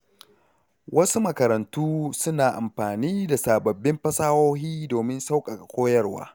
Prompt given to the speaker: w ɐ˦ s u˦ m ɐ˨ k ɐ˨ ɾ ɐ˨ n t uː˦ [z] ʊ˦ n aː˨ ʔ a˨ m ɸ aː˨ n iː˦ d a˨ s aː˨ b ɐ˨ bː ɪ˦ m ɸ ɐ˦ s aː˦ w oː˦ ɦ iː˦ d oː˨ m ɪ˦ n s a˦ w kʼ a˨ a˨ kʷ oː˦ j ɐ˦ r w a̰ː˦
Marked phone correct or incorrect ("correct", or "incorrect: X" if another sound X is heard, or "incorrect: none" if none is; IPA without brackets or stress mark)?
incorrect: s